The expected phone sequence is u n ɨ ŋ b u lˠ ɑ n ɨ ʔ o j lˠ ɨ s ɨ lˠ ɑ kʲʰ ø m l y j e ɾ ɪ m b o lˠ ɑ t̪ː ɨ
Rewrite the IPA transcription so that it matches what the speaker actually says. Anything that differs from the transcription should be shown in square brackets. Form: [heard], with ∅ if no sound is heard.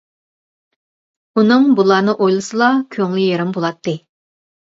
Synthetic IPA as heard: u n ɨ ŋ b u lˠ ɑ n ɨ ʔ o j lˠ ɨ s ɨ lˠ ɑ kʲʰ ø [ŋ] l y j e ɾ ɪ m b o lˠ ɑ t̪ː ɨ